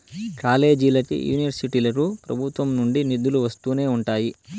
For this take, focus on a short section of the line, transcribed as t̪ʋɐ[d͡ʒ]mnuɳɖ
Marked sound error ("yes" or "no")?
yes